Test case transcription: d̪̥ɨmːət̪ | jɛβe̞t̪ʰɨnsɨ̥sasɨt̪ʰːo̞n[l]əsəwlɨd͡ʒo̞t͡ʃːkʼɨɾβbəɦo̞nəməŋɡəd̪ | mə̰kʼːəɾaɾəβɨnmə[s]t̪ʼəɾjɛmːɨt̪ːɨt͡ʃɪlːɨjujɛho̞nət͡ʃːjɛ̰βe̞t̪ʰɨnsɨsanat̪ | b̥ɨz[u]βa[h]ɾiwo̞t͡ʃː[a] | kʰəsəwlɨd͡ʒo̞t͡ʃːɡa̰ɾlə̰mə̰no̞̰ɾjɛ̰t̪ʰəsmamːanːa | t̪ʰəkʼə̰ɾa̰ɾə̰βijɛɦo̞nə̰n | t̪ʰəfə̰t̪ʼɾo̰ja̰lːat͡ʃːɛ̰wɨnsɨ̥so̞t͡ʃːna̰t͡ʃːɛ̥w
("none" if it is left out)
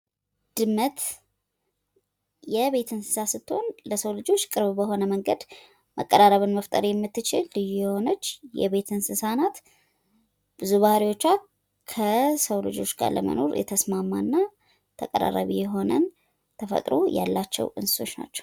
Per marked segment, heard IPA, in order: l, f, u, h, a

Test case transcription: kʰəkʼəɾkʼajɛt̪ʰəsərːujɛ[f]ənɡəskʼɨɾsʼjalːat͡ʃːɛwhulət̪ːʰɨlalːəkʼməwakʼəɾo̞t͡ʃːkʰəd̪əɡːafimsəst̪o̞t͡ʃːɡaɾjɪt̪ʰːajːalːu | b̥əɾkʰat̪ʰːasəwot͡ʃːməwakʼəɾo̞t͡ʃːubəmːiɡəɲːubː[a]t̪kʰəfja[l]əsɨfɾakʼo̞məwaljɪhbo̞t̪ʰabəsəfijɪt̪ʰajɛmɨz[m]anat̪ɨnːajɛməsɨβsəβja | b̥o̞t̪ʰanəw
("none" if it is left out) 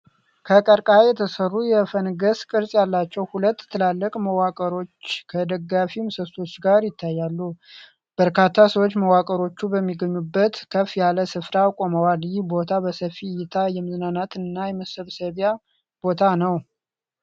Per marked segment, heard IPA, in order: f, ə, l, n

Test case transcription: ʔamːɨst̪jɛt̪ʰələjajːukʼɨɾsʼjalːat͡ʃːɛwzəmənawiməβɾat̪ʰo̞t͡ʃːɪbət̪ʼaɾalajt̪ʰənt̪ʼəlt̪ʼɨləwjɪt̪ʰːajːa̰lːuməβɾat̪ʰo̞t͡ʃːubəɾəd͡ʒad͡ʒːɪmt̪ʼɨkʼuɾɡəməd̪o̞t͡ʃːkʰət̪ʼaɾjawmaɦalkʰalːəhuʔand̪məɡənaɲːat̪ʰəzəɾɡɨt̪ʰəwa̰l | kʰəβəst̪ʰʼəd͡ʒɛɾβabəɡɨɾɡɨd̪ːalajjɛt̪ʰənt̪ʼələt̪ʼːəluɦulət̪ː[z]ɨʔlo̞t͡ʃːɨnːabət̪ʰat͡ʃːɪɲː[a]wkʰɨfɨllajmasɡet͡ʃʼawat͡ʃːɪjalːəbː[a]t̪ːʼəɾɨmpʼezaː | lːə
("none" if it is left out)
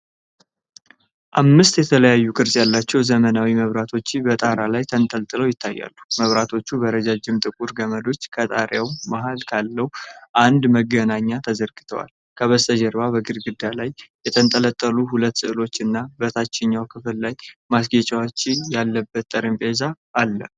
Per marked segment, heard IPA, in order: s, a, ə

